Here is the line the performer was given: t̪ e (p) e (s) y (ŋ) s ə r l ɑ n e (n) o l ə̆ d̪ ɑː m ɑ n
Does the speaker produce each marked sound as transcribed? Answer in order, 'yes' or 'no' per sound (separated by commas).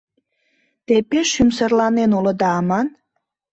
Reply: yes, no, no, yes